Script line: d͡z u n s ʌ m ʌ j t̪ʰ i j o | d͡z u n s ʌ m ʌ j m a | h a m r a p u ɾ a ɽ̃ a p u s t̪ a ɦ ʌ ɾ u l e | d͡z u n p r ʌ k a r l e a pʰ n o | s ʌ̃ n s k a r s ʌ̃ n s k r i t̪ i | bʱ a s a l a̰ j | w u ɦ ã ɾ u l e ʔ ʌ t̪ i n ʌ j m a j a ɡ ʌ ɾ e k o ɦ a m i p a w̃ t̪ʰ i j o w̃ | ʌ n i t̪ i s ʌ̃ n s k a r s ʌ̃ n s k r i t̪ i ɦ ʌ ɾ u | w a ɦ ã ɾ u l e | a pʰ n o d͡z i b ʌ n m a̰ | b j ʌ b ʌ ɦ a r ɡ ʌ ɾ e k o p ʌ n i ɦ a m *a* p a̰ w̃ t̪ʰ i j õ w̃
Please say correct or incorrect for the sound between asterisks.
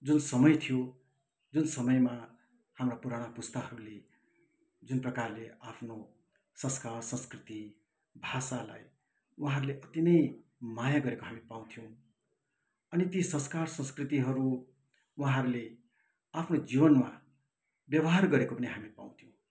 incorrect